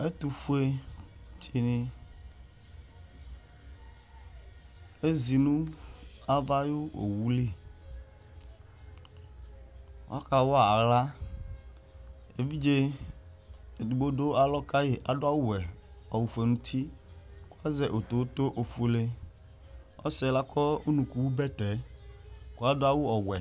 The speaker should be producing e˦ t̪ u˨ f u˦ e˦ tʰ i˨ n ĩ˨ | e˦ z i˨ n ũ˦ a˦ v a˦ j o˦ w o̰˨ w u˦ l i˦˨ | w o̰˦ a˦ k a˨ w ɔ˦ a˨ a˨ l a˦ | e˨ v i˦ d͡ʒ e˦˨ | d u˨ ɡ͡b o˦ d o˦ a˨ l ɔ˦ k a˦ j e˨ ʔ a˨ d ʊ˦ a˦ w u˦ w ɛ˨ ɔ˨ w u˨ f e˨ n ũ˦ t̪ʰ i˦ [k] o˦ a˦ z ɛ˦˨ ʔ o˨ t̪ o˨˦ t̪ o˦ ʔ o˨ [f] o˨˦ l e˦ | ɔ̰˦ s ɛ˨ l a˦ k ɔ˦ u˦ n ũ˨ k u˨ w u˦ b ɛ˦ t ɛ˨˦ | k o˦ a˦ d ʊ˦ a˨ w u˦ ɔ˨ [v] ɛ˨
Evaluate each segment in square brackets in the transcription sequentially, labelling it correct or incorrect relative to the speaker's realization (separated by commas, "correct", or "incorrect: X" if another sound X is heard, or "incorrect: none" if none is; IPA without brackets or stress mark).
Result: correct, correct, incorrect: w